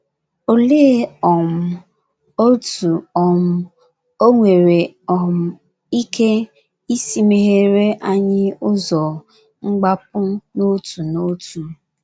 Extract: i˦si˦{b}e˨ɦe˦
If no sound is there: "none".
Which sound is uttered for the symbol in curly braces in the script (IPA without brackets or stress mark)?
m